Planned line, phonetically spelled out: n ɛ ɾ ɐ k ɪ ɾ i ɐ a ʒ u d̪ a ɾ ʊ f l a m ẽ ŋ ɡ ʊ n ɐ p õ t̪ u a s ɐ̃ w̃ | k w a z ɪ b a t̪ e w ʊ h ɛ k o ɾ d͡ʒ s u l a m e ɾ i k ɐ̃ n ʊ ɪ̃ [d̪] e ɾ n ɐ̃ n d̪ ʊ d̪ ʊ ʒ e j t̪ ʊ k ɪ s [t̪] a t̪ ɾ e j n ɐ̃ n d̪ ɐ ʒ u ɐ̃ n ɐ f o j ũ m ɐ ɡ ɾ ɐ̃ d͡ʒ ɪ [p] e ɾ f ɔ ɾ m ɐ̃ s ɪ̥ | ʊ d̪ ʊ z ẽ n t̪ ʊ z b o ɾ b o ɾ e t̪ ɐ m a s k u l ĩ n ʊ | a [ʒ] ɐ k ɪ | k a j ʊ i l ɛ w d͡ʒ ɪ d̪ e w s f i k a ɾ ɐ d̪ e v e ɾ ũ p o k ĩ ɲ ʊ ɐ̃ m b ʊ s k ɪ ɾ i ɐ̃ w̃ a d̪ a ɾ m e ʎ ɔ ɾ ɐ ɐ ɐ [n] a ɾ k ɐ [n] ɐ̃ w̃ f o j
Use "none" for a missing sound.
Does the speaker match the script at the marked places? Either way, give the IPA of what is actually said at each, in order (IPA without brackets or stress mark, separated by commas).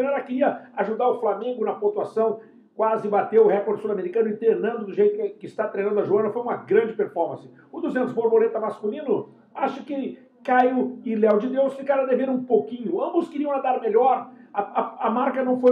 t̪, t̪, p, ʃ, m, n